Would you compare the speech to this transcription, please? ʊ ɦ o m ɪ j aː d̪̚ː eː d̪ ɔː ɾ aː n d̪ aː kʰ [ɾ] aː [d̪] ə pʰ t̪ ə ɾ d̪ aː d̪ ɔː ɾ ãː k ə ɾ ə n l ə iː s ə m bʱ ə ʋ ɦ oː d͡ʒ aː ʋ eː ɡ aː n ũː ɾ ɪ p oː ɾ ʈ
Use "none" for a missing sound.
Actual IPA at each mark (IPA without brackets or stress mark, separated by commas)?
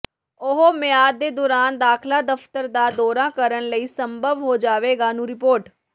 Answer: l, d̪